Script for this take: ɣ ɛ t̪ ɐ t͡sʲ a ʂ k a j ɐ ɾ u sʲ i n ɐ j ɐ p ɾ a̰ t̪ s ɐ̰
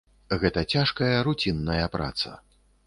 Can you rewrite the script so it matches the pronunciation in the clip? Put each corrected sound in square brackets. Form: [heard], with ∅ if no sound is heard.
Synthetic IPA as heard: ɣ ɛ t̪ ɐ t͡sʲ a ʂ k [ɐ] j ɐ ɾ u [t͡sʲ] i [nː] ɐ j ɐ p ɾ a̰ t̪ s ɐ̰